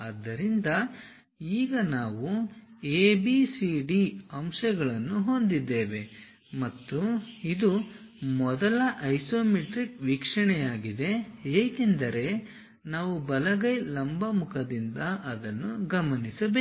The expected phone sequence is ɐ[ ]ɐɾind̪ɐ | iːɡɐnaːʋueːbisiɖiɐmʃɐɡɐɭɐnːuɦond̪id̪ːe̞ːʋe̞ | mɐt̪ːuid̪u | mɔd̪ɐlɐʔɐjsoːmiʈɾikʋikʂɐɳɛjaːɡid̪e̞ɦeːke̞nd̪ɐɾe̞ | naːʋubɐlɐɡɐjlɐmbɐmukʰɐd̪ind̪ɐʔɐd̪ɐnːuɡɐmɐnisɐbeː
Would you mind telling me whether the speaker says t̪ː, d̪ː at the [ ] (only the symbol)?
d̪ː